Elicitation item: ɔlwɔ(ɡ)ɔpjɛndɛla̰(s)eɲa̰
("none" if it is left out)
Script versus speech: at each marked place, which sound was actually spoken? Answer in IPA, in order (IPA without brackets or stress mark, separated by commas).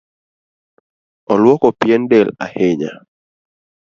k, h